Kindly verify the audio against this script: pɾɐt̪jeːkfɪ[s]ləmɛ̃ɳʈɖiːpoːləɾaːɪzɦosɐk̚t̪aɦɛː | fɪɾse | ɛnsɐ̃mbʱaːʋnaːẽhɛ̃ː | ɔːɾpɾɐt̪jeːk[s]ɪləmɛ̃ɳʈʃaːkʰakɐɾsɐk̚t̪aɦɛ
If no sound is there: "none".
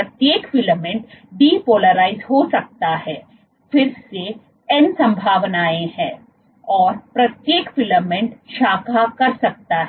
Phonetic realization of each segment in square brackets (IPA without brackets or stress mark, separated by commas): none, f